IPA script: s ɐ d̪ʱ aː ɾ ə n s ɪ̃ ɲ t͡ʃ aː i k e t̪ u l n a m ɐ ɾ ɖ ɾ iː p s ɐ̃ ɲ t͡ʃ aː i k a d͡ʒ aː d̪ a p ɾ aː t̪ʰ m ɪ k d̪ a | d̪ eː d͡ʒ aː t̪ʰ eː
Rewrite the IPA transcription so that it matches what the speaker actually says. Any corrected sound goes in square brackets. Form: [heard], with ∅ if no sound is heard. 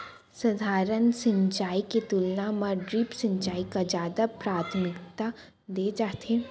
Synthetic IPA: s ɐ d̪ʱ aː ɾ ə n s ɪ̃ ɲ t͡ʃ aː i k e t̪ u l n a m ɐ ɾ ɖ ɾ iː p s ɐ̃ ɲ t͡ʃ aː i k a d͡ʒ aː d̪ a p ɾ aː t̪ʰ m ɪ k [t̪] a | d̪ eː d͡ʒ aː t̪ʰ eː

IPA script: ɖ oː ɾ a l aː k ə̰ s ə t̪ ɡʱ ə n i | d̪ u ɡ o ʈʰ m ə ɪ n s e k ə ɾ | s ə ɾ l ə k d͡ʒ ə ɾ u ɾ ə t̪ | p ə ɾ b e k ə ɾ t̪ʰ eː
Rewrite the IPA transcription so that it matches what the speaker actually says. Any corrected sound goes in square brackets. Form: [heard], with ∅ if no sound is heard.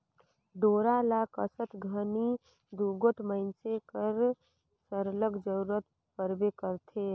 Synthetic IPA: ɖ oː ɾ a l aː k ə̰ s ə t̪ ɡʱ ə n i | d̪ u ɡ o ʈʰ m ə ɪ n s e k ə ɾ | s ə ɾ l ə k d͡ʒ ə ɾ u ɾ ə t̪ | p ə ɾ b e k ə ɾ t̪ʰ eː

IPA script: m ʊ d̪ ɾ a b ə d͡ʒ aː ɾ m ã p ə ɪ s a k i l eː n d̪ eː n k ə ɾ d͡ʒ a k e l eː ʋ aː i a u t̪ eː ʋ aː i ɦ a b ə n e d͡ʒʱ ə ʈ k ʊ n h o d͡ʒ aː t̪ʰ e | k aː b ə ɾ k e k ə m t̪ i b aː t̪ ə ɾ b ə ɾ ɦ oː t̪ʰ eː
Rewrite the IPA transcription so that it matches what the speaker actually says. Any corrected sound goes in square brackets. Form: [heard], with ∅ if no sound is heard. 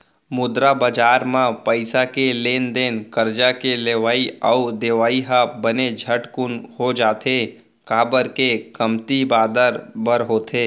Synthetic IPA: m ʊ d̪ ɾ a b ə d͡ʒ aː ɾ m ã p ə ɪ s a k [e] l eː n d̪ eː n k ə ɾ d͡ʒ a k e l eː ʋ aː i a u [d̪] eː ʋ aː i ɦ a b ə n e d͡ʒʱ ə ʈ k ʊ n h o d͡ʒ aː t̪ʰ e | k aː b ə ɾ k e k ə m t̪ i b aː [d̪] ə ɾ b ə ɾ ɦ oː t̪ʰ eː

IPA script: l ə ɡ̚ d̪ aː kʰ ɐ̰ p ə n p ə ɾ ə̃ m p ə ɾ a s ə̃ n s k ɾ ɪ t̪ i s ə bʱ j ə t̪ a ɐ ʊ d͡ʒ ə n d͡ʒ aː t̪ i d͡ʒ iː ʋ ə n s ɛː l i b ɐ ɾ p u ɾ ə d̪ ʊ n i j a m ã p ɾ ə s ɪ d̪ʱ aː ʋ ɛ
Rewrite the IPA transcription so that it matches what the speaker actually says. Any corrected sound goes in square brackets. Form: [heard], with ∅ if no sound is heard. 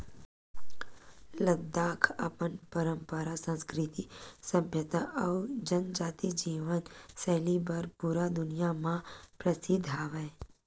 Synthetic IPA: l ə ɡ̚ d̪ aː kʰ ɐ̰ p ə n p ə ɾ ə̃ m p ə ɾ a s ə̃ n s k ɾ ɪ t̪ i s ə bʱ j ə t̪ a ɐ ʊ d͡ʒ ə n d͡ʒ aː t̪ i d͡ʒ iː ʋ ə n s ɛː l i b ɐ ɾ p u ɾ [a] d̪ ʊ n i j a m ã p ɾ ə s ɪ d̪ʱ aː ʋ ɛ

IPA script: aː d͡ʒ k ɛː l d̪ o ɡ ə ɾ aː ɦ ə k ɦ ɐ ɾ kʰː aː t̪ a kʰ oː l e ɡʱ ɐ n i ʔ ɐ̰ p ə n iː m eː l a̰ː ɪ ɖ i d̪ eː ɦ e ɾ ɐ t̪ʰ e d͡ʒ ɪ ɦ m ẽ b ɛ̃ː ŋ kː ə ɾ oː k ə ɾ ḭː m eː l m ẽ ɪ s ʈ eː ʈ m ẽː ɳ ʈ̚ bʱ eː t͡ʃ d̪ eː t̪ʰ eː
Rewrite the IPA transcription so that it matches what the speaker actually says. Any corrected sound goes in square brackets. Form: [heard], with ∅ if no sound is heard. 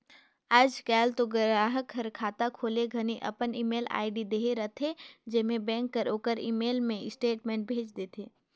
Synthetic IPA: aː d͡ʒ k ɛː l [t̪] o ɡ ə ɾ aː ɦ ə k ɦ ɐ ɾ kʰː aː t̪ a kʰ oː l e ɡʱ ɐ n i ʔ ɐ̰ p ə n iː m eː l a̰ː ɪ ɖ i d̪ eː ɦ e ɾ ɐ t̪ʰ e d͡ʒ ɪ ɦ m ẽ b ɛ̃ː ŋ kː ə ɾ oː k ə ɾ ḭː m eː l m ẽ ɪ s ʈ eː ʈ m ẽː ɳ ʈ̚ bʱ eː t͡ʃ d̪ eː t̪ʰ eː

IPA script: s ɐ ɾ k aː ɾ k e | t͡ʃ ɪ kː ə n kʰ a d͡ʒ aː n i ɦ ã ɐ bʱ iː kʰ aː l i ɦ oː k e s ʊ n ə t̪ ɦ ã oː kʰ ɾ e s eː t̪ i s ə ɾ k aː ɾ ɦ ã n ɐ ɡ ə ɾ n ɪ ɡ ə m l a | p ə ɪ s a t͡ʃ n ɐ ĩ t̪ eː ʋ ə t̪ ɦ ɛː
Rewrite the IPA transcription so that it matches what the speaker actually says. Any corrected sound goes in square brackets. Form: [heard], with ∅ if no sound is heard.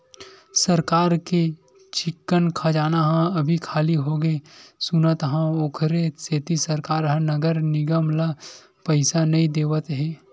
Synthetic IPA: s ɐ ɾ k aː ɾ k e | t͡ʃ ɪ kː ə n kʰ a d͡ʒ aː n [a] ɦ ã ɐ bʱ [i] kʰ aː l i ɦ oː [ɡ] e s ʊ n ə t̪ ɦ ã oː kʰ ɾ e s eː t̪ i s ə ɾ k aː ɾ ɦ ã n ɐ ɡ ə ɾ n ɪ ɡ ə m l a | p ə ɪ s a [∅] n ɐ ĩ [d̪] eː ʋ ə t̪ ɦ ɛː

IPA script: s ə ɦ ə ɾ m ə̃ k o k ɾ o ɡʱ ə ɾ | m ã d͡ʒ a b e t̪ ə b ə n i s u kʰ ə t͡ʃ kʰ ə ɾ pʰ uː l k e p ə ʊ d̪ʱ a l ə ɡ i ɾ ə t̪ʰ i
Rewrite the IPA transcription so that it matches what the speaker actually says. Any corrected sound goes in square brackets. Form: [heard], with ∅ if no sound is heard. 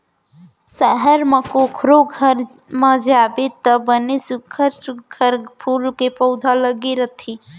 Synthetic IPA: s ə ɦ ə ɾ m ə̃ k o [kʰ] ɾ o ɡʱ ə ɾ | m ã d͡ʒ a b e t̪ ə b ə n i s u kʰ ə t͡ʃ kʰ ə ɾ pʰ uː l k e p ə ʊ d̪ʱ a l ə ɡ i ɾ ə t̪ʰ i

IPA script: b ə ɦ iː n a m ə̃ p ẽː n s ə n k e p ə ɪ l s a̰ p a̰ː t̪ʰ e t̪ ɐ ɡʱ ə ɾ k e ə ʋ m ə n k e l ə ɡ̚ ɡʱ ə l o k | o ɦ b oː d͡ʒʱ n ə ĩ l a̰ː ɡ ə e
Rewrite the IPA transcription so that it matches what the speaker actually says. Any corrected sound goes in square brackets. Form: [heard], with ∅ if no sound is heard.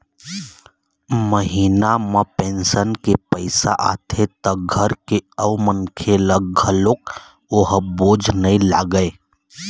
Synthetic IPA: [m] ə ɦ iː n a m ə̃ p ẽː n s ə n k e p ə ɪ [∅] s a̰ [ʔ] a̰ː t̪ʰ e t̪ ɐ ɡʱ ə ɾ k e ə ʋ m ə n [kʰ] e l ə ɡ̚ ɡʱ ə l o k | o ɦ b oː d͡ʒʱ n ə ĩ l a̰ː ɡ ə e

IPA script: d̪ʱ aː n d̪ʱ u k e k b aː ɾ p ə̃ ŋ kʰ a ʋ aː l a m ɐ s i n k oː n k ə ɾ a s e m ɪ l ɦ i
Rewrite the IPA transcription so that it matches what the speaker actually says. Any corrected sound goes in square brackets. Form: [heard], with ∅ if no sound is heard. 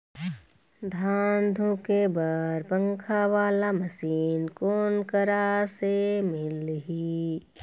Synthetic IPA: d̪ʱ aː n d̪ʱ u k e [∅] b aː ɾ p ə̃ ŋ kʰ a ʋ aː l a m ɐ s [iː] n k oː n k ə ɾ a s e m ɪ l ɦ i

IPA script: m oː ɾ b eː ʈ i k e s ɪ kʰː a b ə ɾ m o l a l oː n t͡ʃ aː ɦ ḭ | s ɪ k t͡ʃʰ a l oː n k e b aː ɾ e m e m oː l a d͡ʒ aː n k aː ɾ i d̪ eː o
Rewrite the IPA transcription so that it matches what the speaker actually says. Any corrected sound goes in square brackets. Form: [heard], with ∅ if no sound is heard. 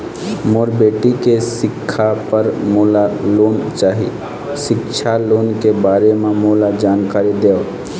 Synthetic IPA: m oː ɾ b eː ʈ i k e s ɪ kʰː a [p] ə ɾ m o l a l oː n t͡ʃ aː ɦ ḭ | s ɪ k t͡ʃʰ a l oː n k e b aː ɾ e m e m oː l a d͡ʒ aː n k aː ɾ i d̪ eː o

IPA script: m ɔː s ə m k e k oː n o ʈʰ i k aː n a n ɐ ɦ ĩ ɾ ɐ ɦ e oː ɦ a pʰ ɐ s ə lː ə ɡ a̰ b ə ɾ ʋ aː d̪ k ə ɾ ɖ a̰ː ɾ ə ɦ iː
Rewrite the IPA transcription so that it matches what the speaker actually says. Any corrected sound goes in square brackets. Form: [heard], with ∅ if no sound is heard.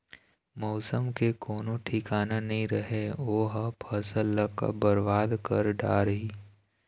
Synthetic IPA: m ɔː s ə m k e k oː n o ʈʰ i k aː n a n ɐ ɦ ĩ ɾ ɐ ɦ e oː ɦ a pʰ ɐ s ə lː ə [k] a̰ b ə ɾ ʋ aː d̪ k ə ɾ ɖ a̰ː ɾ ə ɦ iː

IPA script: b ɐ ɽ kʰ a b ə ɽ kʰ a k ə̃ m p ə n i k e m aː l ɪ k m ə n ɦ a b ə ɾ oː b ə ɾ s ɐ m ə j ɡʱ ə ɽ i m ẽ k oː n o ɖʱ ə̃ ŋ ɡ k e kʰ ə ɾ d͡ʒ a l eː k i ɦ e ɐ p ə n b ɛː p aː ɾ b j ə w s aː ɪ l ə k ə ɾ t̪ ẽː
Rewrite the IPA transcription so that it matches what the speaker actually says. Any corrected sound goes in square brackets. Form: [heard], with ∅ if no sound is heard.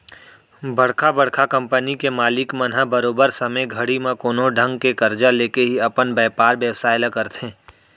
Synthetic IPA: b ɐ ɽ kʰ a b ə ɽ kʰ a k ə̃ m p ə n i k e m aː l ɪ k m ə n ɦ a b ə ɾ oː b ə ɾ s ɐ m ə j ɡʱ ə ɽ i m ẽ k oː n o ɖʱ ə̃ ŋ ɡ k e [k] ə ɾ d͡ʒ a l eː k [e] ɦ [i] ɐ p ə n b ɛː p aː ɾ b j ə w s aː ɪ l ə k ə ɾ t̪ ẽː

